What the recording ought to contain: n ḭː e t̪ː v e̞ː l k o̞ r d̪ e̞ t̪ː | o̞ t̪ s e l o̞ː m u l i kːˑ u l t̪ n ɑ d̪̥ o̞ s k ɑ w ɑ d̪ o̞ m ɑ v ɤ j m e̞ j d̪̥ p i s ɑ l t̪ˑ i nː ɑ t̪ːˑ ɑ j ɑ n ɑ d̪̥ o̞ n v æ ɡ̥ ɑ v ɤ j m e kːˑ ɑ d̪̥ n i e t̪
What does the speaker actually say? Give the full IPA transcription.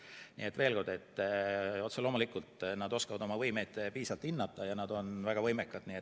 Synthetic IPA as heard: n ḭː e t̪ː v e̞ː l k o̞ r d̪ e̞ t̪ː | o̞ t̪ s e l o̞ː m u l i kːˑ u l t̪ n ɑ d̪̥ o̞ s k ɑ v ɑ d̪ o̞ m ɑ v ɤ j m e̞ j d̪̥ p iː s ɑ l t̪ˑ i nː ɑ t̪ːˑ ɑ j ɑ n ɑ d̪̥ o̞ n v æ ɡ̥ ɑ v ɤ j m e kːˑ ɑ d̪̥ n i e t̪